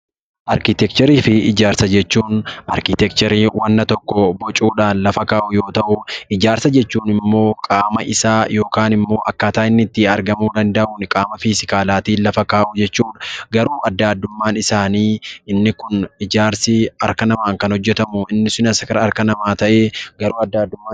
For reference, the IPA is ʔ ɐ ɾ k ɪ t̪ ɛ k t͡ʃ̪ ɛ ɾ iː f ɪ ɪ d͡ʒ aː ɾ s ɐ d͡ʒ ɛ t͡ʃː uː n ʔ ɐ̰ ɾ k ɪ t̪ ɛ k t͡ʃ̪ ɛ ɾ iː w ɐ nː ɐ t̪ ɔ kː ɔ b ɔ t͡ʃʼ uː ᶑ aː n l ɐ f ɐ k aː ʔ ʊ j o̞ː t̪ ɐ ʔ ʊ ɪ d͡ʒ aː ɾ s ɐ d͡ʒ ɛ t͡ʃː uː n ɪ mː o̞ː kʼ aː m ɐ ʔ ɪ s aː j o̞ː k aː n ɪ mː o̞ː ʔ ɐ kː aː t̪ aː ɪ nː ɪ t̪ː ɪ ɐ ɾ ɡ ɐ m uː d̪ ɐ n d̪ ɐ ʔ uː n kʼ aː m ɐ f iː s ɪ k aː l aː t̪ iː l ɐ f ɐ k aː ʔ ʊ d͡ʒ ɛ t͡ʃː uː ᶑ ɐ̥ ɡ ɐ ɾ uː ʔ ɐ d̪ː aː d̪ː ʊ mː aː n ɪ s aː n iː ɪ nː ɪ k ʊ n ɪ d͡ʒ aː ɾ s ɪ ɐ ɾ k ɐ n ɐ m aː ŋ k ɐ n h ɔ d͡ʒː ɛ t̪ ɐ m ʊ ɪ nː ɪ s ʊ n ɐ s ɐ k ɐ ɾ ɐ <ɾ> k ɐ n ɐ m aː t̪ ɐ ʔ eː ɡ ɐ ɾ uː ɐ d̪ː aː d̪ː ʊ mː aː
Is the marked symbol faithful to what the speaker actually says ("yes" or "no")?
yes